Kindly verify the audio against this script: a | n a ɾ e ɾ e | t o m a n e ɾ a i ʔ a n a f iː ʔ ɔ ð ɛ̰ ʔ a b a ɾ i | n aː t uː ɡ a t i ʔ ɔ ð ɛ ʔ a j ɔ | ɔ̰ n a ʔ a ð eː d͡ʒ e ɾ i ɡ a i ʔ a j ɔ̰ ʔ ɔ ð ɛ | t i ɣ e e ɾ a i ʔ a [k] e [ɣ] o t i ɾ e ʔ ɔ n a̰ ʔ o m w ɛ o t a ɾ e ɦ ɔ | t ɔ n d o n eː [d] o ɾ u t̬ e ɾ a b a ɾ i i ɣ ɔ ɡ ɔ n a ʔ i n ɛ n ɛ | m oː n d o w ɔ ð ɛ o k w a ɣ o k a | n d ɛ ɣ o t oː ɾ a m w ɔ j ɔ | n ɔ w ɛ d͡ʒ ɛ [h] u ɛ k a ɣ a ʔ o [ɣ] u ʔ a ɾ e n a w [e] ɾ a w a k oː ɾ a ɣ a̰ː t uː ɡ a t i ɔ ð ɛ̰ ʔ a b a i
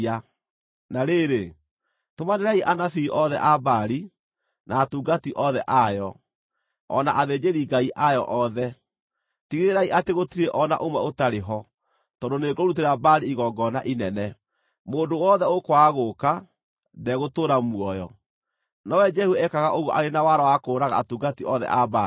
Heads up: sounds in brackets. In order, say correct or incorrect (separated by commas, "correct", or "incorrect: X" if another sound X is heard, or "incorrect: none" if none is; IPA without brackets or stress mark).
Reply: incorrect: t, correct, incorrect: ɡ, correct, correct, incorrect: a